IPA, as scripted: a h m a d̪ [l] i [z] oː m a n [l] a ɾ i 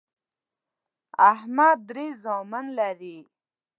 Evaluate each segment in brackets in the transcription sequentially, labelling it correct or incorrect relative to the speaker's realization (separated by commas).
incorrect, correct, correct